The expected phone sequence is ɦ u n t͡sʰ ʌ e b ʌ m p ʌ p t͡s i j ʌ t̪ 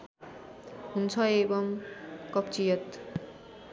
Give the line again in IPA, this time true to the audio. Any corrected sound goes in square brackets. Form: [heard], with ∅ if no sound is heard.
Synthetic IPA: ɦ u n t͡sʰ ʌ e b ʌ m [k] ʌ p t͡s i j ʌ t̪